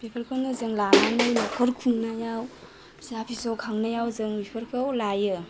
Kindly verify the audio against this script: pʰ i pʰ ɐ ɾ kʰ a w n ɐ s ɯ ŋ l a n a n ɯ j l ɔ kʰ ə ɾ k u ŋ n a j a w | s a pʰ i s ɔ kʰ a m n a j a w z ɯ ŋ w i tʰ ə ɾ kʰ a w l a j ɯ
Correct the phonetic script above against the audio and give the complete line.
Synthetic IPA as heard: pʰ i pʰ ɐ ɾ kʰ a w n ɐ z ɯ ŋ l a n a n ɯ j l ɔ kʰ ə ɾ kʰ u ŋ n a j a w | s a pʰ i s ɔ kʰ a ŋ n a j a w z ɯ ŋ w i pʰ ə ɾ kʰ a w l a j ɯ